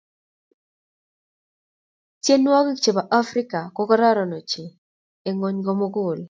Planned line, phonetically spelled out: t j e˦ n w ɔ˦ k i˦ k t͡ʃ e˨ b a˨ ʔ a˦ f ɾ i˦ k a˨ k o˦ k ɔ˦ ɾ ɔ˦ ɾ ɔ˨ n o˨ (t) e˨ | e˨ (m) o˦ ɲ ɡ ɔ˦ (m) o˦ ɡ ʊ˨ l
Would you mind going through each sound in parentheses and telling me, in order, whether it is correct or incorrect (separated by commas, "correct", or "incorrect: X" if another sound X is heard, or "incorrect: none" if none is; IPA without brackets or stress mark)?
incorrect: t͡ʃ, incorrect: ŋ, correct